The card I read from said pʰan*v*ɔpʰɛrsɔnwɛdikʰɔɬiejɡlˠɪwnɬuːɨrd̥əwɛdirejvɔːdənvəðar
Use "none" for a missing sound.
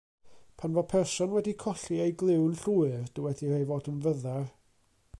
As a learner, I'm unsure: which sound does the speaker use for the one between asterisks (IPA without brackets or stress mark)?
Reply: v